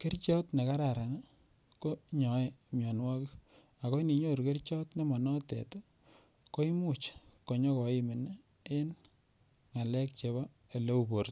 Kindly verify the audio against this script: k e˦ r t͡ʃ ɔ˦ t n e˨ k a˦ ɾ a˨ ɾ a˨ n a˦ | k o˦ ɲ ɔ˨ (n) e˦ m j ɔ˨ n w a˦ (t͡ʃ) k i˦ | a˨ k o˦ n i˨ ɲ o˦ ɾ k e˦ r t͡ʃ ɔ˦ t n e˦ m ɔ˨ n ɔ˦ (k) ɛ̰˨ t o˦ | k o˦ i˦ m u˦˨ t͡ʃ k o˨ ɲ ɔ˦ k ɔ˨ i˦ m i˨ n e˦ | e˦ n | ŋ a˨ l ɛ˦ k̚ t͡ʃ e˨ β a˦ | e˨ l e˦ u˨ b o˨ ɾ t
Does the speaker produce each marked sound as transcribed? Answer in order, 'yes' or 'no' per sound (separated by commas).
no, no, no